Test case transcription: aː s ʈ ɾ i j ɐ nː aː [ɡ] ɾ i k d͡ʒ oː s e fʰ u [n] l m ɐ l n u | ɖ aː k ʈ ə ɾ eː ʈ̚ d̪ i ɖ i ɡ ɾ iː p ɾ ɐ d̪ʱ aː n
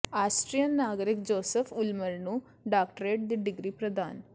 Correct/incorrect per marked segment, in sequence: correct, incorrect: none

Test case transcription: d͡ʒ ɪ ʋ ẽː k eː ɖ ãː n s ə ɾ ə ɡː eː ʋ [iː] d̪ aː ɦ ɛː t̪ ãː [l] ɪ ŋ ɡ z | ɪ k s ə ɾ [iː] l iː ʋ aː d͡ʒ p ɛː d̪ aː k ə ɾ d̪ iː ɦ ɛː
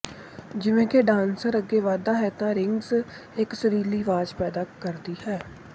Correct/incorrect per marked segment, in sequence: incorrect: aː, incorrect: ɾ, correct

